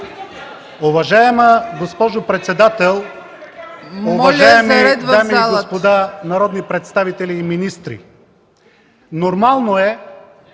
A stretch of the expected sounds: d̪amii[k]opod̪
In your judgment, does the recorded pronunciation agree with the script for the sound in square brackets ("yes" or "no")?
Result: no